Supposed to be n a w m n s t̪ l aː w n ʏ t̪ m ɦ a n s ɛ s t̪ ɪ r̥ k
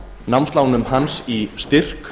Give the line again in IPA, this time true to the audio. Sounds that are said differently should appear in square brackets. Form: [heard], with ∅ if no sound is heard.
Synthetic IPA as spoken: n a w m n s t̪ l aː w n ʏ [∅] m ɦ a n s [i] s t̪ ɪ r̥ k